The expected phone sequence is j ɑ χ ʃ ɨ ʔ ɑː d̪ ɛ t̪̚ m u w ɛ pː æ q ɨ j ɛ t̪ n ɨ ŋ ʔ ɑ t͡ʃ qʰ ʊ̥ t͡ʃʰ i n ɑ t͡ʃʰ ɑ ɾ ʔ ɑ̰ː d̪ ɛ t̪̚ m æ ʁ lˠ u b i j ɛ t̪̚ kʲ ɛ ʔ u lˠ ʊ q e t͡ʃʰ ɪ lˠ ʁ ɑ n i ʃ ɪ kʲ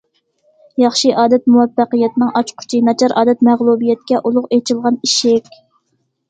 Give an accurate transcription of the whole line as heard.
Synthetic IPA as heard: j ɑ χ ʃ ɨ ʔ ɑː d̪ ɛ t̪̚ m u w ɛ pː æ q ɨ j ɛ t̪ n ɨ ŋ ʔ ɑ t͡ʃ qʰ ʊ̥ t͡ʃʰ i n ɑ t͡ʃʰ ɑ ɾ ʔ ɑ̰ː d̪ ɛ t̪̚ m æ ʁ lˠ u b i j ɛ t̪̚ kʲ ɛ ʔ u lˠ ʊ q e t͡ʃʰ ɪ lˠ ʁ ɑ n i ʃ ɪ kʲ

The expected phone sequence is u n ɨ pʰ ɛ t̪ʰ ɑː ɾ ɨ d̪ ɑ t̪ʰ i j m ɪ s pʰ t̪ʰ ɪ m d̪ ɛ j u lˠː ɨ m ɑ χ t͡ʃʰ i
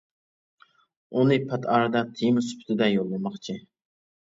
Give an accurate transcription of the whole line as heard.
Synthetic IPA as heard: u n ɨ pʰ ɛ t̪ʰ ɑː ɾ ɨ d̪ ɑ t̪ʰ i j m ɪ s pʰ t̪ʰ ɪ d̪ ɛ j o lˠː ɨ m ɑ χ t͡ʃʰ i

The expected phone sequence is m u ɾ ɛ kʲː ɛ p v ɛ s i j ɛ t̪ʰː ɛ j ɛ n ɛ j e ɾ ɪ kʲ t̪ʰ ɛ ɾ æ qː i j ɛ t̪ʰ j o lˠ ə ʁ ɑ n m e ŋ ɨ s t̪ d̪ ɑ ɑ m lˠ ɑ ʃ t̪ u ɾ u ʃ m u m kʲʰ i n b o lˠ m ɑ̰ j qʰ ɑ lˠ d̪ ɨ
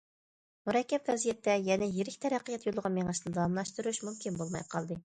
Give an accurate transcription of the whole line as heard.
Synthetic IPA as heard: m u ɾ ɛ kʲː ɛ p v ɛ z i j ɛ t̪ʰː ɛ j ɛ n ɛ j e ɾ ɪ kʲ t̪ʰ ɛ ɾ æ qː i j ɛ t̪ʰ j o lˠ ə ʁ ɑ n m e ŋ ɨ ʃ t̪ d̪ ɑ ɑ m lˠ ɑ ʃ t̪ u ɾ u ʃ m u m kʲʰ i n b o lˠ m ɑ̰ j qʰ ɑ lˠ d̪ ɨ

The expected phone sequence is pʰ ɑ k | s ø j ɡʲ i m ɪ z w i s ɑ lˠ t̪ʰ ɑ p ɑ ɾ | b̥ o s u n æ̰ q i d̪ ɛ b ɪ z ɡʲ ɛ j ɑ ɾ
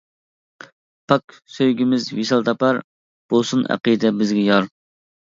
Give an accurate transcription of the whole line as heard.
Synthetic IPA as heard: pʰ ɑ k | s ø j ɡʲ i m ɪ z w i s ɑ lˠ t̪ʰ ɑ p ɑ ɾ | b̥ o s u n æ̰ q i d̪ ɛ b ɪ z ɡʲ ɛ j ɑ ɾ

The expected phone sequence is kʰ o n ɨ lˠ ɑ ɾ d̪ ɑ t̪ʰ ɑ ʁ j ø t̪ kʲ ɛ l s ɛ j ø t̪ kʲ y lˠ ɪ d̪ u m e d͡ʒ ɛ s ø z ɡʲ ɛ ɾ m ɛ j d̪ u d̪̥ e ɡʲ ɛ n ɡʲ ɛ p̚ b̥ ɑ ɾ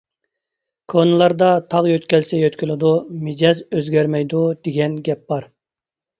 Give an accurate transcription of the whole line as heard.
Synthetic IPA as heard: kʰ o n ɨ lˠ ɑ ɾ d̪ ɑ t̪ʰ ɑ ʁ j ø t̪ kʲ ɛ l s ɛ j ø t̪ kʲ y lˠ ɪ d̪ u m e d͡ʒ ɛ z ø z ɡʲ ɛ ɾ m ɛ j d̪ u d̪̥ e ɡʲ ɛ n ɡʲ ɛ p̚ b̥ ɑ ɾ

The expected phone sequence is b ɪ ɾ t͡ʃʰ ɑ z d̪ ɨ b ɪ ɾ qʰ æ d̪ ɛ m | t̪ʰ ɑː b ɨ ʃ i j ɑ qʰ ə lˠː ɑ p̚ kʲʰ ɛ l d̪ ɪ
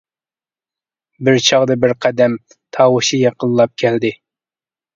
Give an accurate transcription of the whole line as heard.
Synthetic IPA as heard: b ɪ ɾ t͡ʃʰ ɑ ʁ d̪ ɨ b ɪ ɾ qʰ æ d̪ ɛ m | t̪ʰ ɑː w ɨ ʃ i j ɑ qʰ ə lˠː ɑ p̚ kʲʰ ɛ l d̪ ɪ

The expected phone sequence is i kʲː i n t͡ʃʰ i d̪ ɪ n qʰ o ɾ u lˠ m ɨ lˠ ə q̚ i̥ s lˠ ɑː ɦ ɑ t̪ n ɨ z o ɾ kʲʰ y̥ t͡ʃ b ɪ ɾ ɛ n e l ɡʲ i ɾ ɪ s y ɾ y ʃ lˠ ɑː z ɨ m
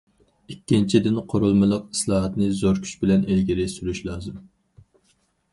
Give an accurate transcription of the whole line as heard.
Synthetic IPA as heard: i kʲː i n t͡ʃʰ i d̪ ɪ n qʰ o ɾ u lˠ m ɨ lˠ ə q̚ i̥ s lˠ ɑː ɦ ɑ t̪ n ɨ z o ɾ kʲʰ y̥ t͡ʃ b ɪ l ɛ n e l ɡʲ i ɾ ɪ s y ɾ y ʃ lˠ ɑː z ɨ m

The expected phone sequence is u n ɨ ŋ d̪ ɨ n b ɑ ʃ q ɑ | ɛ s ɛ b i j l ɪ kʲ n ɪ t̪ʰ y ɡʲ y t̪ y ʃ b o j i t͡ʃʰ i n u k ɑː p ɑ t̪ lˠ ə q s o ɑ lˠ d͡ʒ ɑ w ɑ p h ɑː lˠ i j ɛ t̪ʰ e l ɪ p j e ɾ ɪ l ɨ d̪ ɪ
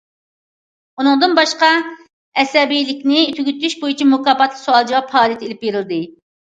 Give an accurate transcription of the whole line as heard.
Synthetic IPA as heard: u n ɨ ŋ d̪ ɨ n b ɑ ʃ q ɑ | ɛ s ɛ b i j l ɪ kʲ n ɪ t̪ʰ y ɡʲ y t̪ y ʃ b o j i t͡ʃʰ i m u k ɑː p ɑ t̪ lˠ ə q s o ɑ lˠ d͡ʒ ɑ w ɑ p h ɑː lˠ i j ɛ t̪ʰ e l ɪ p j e ɾ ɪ l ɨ d̪ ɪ

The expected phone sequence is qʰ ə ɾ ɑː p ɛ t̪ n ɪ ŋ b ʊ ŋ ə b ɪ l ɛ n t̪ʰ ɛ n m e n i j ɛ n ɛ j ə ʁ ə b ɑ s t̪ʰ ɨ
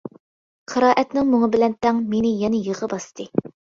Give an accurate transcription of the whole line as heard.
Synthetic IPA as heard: qʰ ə ɾ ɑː ʔ ɛ t̪ n ɪ ŋ m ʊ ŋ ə b ɪ l ɛ n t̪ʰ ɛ ŋ m e n ɪ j ɛ n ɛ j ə ʁ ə b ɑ s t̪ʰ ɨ

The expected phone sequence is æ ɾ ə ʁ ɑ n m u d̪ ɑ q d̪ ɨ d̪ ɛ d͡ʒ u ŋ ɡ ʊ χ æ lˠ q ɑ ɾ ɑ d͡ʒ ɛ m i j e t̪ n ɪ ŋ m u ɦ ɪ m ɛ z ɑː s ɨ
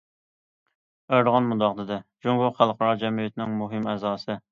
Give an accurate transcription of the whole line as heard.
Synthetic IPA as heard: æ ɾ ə ʁ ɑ n m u d̪ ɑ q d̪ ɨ d̪ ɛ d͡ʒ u ŋ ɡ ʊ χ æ lˠ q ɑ ɾ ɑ d͡ʒ ɛ m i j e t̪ n ɪ ŋ m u ɦ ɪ m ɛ z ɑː s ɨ

